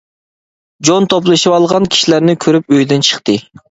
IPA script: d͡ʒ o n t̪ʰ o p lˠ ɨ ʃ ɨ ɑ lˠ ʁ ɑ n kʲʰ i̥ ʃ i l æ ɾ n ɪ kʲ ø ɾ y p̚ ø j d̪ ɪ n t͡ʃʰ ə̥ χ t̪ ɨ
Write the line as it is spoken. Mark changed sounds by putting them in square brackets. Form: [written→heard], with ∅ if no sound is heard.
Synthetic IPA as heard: d͡ʒ o n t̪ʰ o p lˠ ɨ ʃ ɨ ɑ lˠ ʁ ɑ n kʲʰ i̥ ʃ i l æ ɾ n ɪ [kʲ→kʲʰ] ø ɾ y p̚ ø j d̪ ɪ n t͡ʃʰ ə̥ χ t̪ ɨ